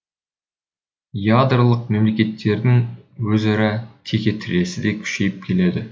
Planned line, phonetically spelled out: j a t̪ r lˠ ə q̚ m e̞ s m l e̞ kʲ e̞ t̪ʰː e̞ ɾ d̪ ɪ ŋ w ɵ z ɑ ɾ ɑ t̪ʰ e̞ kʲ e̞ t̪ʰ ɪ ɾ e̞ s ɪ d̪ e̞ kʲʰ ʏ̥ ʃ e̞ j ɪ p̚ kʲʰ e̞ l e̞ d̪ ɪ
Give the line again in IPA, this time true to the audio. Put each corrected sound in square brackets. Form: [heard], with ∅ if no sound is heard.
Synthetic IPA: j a [d̪] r lˠ ə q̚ m e̞ [∅] m l e̞ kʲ e̞ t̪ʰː e̞ ɾ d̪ ɪ ŋ w ɵ z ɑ ɾ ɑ t̪ʰ e̞ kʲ e̞ t̪ʰ ɪ ɾ e̞ s ɪ d̪ e̞ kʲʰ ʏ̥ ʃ e̞ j ɪ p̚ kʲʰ e̞ l e̞ d̪ ɪ

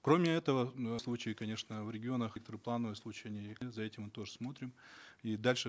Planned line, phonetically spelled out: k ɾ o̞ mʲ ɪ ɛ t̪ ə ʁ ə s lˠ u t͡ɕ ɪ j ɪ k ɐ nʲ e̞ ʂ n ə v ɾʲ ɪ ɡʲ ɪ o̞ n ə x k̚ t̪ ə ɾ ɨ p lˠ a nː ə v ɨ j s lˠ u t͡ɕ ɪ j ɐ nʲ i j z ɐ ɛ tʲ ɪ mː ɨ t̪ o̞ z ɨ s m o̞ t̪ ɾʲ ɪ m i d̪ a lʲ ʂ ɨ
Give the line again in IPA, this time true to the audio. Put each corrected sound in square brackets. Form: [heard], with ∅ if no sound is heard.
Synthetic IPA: k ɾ o̞ mʲ ɪ ɛ t̪ ə [v] ə s lˠ u t͡ɕ ɪ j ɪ k ɐ nʲ e̞ ʂ n ə v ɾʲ ɪ ɡʲ ɪ o̞ n ə x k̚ t̪ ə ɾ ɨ p lˠ a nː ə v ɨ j s lˠ u t͡ɕ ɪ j ɐ nʲ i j z ɐ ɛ tʲ ɪ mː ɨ t̪ o̞ [ʐ] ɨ s m o̞ t̪ ɾʲ ɪ m i d̪ a lʲ ʂ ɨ

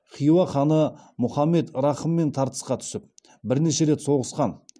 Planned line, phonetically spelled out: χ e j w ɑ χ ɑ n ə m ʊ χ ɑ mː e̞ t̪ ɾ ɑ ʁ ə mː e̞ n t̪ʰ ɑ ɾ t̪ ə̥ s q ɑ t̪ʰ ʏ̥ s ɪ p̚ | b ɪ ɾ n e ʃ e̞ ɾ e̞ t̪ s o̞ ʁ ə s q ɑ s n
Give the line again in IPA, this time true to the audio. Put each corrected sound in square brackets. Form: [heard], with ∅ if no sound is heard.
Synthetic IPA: χ [i] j w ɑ χ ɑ n ə m ʊ χ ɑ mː e̞ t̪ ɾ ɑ [χ] ə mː e̞ n t̪ʰ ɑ ɾ t̪ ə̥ s q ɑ t̪ʰ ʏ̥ s ɪ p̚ | b ɪ ɾ n e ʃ e̞ ɾ e̞ t̪ s o̞ ʁ ə s q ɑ [∅] n

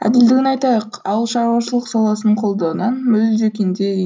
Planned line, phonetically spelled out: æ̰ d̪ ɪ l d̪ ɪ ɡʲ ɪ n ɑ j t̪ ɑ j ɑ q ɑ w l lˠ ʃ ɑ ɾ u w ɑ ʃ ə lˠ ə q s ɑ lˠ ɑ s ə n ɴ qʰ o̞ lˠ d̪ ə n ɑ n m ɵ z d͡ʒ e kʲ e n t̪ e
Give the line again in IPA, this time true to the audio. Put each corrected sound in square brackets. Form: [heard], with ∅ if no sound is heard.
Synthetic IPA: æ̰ d̪ ɪ l d̪ ɪ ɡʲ ɪ n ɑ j t̪ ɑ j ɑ q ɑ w l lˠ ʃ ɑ ɾ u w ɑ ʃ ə lˠ ə q s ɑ lˠ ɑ s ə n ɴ qʰ o̞ lˠ d̪ [ɑ] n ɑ n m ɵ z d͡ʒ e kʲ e n [d̪] e

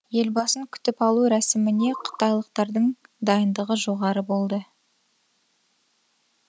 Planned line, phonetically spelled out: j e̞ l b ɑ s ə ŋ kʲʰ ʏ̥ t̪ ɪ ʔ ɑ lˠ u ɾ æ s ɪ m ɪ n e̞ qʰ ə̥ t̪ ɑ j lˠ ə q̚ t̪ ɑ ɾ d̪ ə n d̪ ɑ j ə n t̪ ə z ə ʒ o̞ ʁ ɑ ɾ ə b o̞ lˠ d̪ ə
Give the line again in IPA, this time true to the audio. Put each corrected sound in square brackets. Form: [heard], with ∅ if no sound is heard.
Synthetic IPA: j e̞ l b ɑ s ə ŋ kʲʰ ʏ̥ t̪ ɪ [p] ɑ lˠ u ɾ æ s ɪ m ɪ n e̞ qʰ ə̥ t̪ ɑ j lˠ ə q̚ t̪ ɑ ɾ d̪ ə [ɴ] d̪ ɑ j ə n [d̪] ə [ʁ] ə ʒ o̞ ʁ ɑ ɾ ə b o̞ lˠ d̪ ə

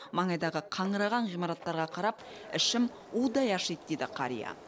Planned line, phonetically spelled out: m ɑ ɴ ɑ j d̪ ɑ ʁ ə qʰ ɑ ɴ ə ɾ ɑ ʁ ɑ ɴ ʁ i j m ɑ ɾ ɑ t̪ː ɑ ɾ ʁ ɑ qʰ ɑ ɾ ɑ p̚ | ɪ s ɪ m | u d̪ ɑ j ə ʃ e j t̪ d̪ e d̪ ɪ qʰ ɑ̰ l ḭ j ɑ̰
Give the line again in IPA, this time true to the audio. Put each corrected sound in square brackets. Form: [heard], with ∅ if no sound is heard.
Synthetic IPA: m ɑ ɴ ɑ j d̪ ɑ ʁ ə qʰ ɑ ɴ ə ɾ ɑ ʁ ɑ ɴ ʁ i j m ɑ ɾ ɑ t̪ː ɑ ɾ ʁ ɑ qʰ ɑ ɾ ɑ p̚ | ɪ [ʃ] ɪ m | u d̪ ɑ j [ɑ] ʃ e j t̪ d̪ e d̪ ɪ qʰ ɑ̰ [ɾ] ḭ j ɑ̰

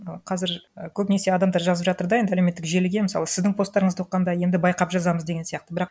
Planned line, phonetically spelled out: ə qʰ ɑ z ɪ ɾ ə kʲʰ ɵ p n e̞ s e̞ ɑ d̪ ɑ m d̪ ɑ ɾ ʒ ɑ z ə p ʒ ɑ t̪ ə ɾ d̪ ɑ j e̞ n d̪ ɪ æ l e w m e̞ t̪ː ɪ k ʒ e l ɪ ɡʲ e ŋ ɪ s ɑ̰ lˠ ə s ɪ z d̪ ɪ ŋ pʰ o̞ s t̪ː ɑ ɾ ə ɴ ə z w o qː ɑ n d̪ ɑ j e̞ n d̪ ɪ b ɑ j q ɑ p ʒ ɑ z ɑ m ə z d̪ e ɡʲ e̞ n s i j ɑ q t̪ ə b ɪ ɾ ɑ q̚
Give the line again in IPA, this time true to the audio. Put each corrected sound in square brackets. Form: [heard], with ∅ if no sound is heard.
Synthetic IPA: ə qʰ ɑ z ɪ ɾ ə kʲʰ ɵ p n e̞ s e̞ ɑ d̪ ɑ m d̪ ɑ ɾ ʒ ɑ z ə p ʒ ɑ t̪ ə ɾ d̪ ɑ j e̞ n d̪ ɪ æ l e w m e̞ t̪ː ɪ k ʒ e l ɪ ɡʲ e [m] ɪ s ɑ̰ lˠ ə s ɪ z d̪ ɪ ŋ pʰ o̞ s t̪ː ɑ ɾ ə ɴ ə z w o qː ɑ n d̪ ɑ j e̞ n d̪ ɪ b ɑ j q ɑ p ʒ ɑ z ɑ m ə z d̪ e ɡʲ e̞ n s i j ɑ q t̪ ə b ɪ ɾ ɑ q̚

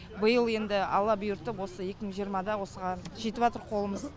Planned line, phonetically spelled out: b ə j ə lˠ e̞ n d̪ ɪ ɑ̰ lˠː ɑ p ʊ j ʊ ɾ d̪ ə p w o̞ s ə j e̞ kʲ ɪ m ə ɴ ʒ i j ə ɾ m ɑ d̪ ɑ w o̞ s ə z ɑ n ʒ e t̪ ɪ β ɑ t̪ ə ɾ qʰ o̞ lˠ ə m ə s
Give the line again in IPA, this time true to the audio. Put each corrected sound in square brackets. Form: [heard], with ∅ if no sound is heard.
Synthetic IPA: b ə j ə lˠ e̞ n d̪ ɪ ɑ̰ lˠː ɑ [b] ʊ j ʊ ɾ [t̪] ə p w o̞ s ə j e̞ kʲ ɪ m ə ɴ ʒ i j ə ɾ m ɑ d̪ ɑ w o̞ s ə [ʁ] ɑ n ʒ e t̪ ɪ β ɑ t̪ ə ɾ qʰ o̞ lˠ ə m ə [z]

